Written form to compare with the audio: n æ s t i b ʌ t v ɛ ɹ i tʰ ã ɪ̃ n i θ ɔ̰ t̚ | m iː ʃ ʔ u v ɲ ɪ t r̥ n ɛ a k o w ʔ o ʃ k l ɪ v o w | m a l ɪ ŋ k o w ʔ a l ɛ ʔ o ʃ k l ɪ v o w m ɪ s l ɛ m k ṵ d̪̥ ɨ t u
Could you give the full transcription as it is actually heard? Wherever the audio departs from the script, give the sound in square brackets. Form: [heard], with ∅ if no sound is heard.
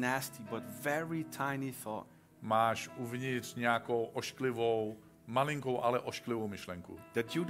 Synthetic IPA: n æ s t i b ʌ t v ɛ ɹ i tʰ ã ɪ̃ n i θ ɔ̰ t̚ | m [aː] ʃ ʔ u v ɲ ɪ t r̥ [ɲ] ɛ a k o w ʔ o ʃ k l ɪ v o w | m a l ɪ ŋ k o w ʔ a l ɛ ʔ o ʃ k l ɪ v o w m ɪ [ʃ] l ɛ [ŋ] k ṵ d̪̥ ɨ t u